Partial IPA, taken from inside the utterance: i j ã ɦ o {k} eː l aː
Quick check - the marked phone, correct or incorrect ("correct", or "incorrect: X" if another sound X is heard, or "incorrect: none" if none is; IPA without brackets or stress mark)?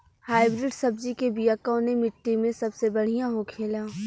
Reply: incorrect: kʰ